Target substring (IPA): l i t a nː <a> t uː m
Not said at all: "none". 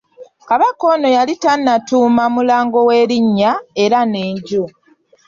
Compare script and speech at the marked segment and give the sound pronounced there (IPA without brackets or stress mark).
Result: a